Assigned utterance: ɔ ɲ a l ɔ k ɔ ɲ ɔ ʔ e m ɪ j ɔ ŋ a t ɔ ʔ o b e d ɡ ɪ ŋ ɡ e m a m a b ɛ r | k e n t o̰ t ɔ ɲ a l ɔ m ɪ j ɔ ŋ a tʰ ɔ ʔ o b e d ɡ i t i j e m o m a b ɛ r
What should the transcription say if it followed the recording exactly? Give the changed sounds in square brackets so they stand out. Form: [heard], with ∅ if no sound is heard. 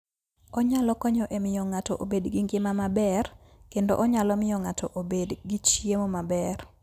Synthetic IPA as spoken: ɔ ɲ a l ɔ k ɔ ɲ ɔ ʔ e m ɪ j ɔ ŋ a t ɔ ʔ o b e d ɡ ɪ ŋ ɡ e m a m a b ɛ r | k e n [d] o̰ [ʔ] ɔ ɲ a l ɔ m ɪ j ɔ ŋ a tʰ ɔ ʔ o b e d ɡ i [t͡ʃ] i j e m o m a b ɛ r